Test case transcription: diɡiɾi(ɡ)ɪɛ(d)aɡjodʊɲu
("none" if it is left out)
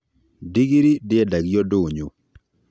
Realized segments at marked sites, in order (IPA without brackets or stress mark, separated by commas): d, d